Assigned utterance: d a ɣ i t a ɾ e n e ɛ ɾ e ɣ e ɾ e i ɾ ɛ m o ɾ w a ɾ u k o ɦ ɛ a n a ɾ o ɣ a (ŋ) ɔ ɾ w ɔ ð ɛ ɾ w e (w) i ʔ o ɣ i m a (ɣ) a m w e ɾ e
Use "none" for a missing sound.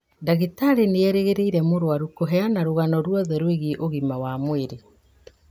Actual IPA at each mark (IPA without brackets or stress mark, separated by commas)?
n, ɣ, w